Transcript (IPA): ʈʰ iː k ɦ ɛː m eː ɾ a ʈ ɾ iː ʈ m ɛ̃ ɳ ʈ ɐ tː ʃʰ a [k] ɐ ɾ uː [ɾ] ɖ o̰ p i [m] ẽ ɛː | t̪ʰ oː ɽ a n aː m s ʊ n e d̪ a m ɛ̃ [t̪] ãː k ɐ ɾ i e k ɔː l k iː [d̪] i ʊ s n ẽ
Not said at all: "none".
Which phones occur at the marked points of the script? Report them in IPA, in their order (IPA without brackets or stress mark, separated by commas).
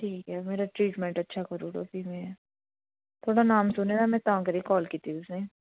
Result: k, none, m, t̪, t̪